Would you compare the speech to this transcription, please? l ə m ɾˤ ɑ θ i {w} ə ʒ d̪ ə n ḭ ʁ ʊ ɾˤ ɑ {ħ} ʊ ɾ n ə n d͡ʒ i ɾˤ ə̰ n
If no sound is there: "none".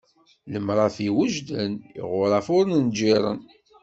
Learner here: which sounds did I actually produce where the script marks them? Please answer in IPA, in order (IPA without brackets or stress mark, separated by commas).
w, f